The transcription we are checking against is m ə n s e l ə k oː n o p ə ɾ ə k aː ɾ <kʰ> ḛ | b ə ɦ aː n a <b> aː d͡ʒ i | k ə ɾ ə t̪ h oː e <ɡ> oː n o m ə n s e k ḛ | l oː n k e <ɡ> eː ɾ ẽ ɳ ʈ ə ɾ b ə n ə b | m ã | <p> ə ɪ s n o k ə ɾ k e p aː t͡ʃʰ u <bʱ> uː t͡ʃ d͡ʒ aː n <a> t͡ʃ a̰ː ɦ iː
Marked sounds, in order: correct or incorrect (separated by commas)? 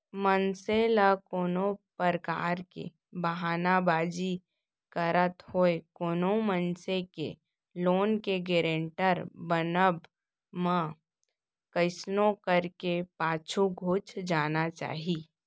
incorrect, correct, incorrect, correct, incorrect, incorrect, correct